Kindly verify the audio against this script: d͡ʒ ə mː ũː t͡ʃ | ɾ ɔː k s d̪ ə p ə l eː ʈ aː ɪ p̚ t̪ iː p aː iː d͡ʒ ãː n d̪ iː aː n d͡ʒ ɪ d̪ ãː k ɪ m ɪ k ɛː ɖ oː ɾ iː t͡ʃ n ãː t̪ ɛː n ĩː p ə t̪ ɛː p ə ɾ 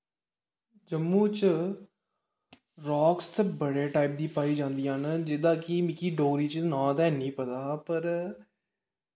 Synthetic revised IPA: d͡ʒ ə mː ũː t͡ʃ | ɾ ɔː k s t̪ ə b ə ɽ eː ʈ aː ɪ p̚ d̪ iː p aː iː d͡ʒ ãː n d̪ iː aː n d͡ʒ ɪ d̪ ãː k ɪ m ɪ k iː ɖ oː ɾ iː t͡ʃ n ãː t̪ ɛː n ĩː p ə t̪ aː p ə ɾ